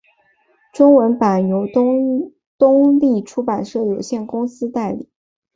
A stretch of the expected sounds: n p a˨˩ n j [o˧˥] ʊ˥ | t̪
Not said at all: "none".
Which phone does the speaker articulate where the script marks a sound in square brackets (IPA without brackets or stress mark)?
o˧˥